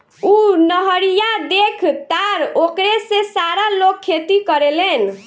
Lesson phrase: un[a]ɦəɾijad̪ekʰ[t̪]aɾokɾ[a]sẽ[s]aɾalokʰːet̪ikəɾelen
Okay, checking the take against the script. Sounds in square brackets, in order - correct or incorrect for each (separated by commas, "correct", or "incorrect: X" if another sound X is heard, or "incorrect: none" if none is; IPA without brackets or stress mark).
incorrect: ə, correct, incorrect: e, correct